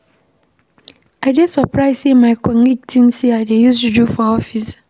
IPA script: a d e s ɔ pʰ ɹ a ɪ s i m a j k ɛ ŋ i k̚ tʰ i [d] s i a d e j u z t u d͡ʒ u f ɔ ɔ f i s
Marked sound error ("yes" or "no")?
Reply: yes